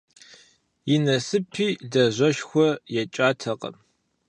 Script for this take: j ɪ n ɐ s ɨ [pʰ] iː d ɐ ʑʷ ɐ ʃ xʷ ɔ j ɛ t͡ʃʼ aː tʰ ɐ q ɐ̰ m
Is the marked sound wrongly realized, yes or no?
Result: no